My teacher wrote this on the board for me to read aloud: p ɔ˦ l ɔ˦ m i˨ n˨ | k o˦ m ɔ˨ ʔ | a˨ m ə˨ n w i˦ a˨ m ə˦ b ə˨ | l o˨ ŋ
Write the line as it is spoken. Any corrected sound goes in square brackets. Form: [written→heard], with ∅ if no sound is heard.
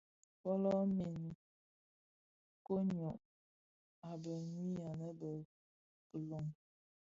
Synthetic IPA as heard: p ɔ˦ l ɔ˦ m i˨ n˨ | k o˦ [m→ɲ] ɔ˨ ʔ | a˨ [m→b] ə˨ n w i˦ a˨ [m→n] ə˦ b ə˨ | l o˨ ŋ